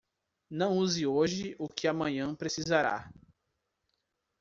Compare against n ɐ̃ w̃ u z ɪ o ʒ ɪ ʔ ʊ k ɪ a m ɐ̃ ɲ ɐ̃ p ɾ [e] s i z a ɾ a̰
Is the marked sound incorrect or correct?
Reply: correct